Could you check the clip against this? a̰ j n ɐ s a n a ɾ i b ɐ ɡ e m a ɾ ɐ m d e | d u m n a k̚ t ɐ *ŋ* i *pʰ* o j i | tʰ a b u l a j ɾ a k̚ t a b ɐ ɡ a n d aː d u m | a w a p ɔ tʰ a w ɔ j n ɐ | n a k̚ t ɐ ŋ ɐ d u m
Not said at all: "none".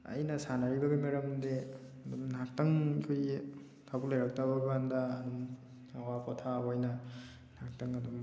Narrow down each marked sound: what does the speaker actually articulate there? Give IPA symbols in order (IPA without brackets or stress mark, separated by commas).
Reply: ŋ, kʰ